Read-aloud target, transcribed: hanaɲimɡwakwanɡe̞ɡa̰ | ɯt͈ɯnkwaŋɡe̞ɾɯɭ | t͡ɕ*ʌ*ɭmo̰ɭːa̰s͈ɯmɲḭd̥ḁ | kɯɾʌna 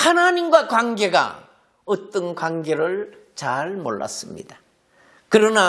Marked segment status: incorrect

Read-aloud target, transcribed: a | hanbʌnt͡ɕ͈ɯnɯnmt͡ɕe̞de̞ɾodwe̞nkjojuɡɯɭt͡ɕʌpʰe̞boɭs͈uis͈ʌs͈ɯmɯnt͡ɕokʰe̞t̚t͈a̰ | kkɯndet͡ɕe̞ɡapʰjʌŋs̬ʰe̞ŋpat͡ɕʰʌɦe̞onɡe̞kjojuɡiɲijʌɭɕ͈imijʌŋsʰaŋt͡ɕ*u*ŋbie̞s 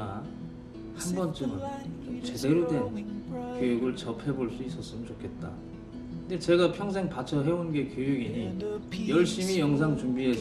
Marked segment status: correct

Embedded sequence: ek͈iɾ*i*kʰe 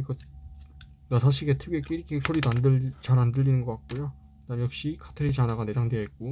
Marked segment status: correct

